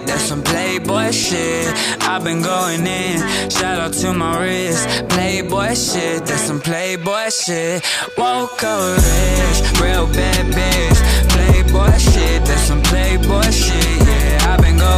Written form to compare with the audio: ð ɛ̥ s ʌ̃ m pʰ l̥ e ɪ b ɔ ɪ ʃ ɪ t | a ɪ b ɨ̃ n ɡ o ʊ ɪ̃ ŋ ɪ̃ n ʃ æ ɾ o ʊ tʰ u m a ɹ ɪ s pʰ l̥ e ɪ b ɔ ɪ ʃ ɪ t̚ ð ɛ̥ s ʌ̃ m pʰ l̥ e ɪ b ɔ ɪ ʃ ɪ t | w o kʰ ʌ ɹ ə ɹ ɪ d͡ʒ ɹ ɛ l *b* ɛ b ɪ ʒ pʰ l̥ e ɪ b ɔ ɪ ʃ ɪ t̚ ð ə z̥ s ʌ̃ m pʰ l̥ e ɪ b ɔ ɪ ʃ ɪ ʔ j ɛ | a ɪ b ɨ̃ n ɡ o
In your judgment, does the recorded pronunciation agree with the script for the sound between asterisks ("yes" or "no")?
yes